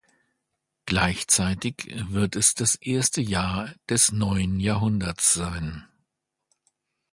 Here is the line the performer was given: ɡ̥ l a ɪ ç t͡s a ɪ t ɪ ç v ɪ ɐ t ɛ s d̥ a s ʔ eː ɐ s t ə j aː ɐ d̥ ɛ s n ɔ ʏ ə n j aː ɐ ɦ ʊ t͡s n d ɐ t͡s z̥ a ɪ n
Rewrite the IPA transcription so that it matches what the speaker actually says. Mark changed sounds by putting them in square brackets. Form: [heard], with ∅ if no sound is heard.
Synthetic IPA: ɡ̥ l a ɪ ç t͡s a ɪ t ɪ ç v ɪ ɐ t ɛ s d̥ a s ʔ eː ɐ s t ə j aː ɐ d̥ ɛ s n ɔ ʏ ə n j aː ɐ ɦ ʊ [∅] n d ɐ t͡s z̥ a ɪ n